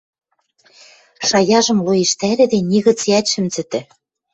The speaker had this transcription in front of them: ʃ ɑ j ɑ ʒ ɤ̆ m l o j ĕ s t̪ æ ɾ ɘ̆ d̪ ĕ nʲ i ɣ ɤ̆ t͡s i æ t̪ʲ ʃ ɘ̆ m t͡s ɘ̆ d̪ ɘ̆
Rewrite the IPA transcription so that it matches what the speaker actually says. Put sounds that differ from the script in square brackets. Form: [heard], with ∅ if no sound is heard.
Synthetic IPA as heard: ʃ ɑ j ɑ ʒ ɤ̆ m l o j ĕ [ʃ] t̪ æ ɾ ɘ̆ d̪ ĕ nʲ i ɣ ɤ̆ t͡s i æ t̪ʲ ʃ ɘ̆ m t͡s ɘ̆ [t̪] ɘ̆